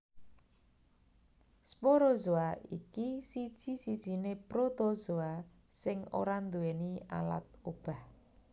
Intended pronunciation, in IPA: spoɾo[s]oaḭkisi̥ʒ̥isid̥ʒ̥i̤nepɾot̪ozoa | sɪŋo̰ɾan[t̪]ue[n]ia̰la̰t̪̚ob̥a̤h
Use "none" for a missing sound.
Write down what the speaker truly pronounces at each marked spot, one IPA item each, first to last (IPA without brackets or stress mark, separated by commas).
z, d̪, n